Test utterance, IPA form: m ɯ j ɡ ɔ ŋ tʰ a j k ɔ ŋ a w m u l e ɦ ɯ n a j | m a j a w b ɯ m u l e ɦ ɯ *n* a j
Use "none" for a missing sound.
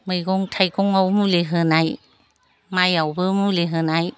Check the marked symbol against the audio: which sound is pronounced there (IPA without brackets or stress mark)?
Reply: n